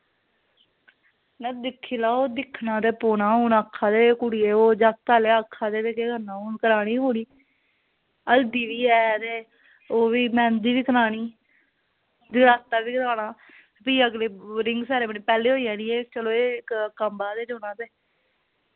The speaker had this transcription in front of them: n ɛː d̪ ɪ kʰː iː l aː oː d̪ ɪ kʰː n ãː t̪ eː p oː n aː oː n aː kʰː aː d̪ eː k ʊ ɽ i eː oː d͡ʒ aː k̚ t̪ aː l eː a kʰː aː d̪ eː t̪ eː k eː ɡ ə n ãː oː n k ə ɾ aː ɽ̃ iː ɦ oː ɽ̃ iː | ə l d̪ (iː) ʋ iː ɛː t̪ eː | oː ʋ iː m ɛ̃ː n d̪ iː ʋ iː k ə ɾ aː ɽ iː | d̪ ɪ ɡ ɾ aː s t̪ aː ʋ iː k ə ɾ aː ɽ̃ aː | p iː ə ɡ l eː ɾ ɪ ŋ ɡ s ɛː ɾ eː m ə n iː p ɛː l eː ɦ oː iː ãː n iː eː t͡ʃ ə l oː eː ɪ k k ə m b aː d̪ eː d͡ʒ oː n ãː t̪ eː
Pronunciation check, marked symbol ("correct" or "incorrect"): correct